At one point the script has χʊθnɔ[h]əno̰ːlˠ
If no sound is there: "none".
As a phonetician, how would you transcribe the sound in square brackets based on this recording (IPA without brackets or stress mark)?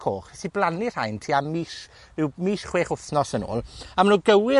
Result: s